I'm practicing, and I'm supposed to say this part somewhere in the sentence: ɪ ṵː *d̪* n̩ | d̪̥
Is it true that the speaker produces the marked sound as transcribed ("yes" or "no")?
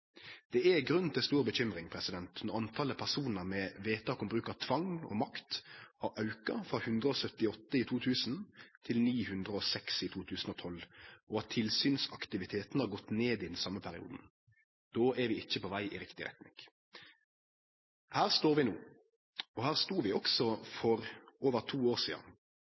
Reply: yes